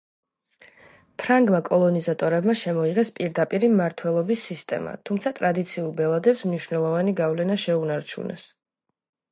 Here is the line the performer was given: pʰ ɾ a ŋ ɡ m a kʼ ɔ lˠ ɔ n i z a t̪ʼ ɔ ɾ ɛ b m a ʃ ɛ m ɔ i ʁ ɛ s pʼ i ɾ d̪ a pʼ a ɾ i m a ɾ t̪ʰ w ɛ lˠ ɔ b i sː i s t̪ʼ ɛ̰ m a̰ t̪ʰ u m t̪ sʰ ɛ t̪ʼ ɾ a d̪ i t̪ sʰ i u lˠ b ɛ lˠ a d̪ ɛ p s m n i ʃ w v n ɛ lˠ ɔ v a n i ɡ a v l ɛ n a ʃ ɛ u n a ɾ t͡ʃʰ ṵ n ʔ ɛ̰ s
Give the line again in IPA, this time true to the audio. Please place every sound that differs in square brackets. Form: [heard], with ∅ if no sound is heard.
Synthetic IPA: pʰ ɾ a ŋ ɡ m a kʼ ɔ lˠ ɔ n i z a t̪ʼ ɔ ɾ ɛ b m a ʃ ɛ m ɔ i ʁ ɛ s pʼ i ɾ d̪ a pʼ [i] ɾ i m a ɾ t̪ʰ w ɛ lˠ ɔ b i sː i s t̪ʼ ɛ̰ m a̰ t̪ʰ u m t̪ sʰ [a] t̪ʼ ɾ a d̪ i t̪ sʰ i u lˠ b ɛ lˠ a d̪ ɛ p s m n i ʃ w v n ɛ lˠ ɔ v a n i ɡ a v l ɛ n a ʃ ɛ u n a ɾ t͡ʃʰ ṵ n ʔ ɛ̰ s

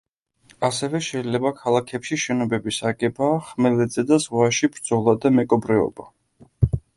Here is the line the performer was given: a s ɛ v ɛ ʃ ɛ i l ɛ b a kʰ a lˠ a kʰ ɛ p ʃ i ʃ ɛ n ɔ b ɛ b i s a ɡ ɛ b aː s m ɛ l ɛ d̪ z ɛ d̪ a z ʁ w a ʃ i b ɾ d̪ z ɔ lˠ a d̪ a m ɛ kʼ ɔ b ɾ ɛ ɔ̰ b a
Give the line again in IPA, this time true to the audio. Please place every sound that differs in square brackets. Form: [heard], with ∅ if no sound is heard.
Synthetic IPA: a s ɛ v ɛ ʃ ɛ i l ɛ b a kʰ a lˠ a kʰ ɛ p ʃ i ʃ ɛ n ɔ b ɛ b i s a ɡ ɛ b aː [χ] m ɛ l ɛ d̪ z ɛ d̪ a z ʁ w a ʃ i b ɾ d̪ z ɔ lˠ a d̪ a m ɛ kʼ ɔ b ɾ ɛ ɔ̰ b a

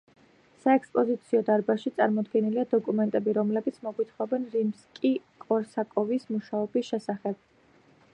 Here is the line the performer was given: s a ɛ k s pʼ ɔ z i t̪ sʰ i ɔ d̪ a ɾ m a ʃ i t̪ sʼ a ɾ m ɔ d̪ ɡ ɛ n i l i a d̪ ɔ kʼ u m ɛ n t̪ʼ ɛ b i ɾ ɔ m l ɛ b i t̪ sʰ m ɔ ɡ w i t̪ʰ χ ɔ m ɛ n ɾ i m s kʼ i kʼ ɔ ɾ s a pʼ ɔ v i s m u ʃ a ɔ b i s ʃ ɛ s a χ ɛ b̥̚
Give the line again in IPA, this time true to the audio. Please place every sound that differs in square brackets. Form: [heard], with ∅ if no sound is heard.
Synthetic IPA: s a ɛ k s pʼ ɔ z i t̪ sʰ i ɔ d̪ a ɾ [b] a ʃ i t̪ sʼ a ɾ m ɔ d̪ ɡ ɛ n i l i a d̪ ɔ kʼ u m ɛ n t̪ʼ ɛ b i ɾ ɔ m l ɛ b i t̪ sʰ m ɔ ɡ w i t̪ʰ χ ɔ [b] ɛ n ɾ i m s kʼ i kʼ ɔ ɾ s a [kʼ] ɔ v i s m u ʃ a ɔ b i s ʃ ɛ s a χ ɛ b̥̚

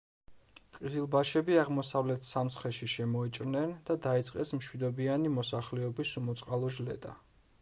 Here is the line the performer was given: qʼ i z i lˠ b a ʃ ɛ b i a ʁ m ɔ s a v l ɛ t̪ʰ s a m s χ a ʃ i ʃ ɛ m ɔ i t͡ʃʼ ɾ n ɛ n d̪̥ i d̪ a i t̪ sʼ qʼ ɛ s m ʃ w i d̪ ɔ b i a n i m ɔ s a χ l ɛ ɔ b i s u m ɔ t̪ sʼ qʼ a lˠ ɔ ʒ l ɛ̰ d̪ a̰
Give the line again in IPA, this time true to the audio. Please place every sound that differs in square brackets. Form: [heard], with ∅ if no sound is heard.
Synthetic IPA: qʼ i z i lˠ b a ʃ ɛ b i a ʁ m ɔ s a v l ɛ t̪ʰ s a m s χ [ɛ] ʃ i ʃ ɛ m ɔ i t͡ʃʼ ɾ n ɛ n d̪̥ [a] d̪ a i t̪ sʼ qʼ ɛ s m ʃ w i d̪ ɔ b i a n i m ɔ s a χ l ɛ ɔ b i s u m ɔ t̪ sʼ qʼ a lˠ ɔ ʒ l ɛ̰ d̪ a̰

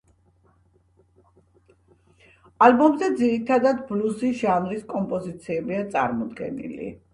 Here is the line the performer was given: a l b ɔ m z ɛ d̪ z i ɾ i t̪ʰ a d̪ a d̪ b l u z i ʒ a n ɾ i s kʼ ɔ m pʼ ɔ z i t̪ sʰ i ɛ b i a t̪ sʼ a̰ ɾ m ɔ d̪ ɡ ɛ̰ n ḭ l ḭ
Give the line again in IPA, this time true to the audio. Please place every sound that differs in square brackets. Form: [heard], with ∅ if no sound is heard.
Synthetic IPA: a l b ɔ m z ɛ d̪ z i ɾ i t̪ʰ a d̪ a d̪ b l u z i ʒ a n ɾ i s kʼ ɔ m pʼ ɔ z i t̪ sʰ i ɛ b i a t̪ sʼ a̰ ɾ m ɔ d̪ ɡ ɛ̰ n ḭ l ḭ

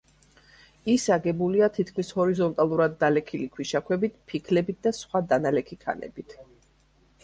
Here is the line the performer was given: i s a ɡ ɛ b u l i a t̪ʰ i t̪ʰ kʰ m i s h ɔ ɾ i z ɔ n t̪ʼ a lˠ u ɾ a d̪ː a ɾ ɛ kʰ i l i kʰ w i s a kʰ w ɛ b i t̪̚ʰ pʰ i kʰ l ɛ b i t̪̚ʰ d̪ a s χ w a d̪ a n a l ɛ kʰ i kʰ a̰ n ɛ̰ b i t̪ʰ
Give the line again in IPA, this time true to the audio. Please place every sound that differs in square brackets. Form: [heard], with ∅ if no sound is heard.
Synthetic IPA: i s a ɡ ɛ b u l i a t̪ʰ i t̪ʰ kʰ m i s h ɔ ɾ i z ɔ n t̪ʼ a lˠ u ɾ a d̪ː a [l] ɛ kʰ i l i kʰ w i [ʃ] a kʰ w ɛ b i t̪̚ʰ pʰ i kʰ l ɛ b i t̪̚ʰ d̪ a s χ w a d̪ a n a l ɛ kʰ i kʰ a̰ n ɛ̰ b i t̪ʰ

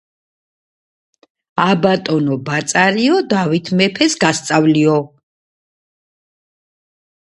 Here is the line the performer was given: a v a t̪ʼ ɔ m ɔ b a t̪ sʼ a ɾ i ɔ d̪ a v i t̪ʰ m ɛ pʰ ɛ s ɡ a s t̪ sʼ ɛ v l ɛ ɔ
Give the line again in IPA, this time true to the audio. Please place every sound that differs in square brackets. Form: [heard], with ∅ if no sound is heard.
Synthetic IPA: a [b] a t̪ʼ ɔ [n] ɔ b a t̪ sʼ a ɾ i ɔ d̪ a v i t̪ʰ m ɛ pʰ ɛ s ɡ a s t̪ sʼ [a] v l [i] ɔ

